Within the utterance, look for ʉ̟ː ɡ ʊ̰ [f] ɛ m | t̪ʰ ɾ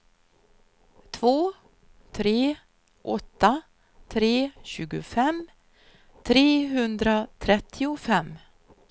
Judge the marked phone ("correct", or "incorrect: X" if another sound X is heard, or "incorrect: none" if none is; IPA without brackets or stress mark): correct